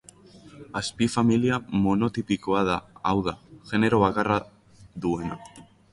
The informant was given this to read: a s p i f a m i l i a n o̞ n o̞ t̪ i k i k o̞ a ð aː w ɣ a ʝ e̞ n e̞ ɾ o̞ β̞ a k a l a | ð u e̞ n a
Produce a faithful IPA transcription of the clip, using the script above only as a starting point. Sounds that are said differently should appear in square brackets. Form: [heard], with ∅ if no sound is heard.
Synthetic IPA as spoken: a s p i f a m i l i a [m] o̞ n o̞ t̪ i [p] i k o̞ a ð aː w [ð] a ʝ e̞ n e̞ ɾ o̞ β̞ a k a [r] a | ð u e̞ n a